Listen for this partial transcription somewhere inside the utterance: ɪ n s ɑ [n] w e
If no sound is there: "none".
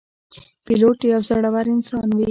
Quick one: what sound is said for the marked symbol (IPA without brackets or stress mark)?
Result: n